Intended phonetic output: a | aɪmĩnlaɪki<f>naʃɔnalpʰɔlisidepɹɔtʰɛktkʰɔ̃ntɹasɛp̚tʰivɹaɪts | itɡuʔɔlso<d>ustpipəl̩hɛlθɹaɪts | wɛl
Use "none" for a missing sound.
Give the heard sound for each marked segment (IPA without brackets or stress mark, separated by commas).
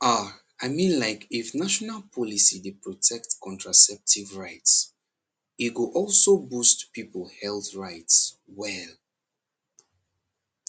f, b